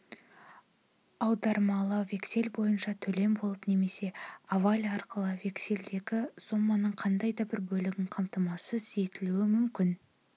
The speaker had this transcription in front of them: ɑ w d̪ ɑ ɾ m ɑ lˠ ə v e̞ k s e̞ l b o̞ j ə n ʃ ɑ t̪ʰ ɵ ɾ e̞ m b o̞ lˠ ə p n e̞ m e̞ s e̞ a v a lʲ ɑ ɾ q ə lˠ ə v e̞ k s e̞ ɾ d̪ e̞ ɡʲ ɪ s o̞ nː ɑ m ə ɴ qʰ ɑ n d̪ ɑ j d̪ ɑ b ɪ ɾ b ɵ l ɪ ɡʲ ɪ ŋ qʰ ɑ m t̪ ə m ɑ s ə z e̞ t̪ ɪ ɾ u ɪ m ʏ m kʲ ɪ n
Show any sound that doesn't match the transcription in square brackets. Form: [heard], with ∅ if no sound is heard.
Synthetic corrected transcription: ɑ w d̪ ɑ ɾ m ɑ lˠ ə v e̞ k s e̞ l b o̞ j ə n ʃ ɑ t̪ʰ ɵ [l] e̞ m b o̞ lˠ ə p n e̞ m e̞ s e̞ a v a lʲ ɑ ɾ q ə lˠ ə v e̞ k s e̞ [l] d̪ e̞ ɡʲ ɪ s o̞ [mː] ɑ [n] ə ɴ qʰ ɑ n d̪ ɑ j d̪ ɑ b ɪ ɾ b ɵ l ɪ ɡʲ ɪ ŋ qʰ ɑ m t̪ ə m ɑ s ə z e̞ t̪ ɪ [l] u ɪ m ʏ m kʲ ɪ n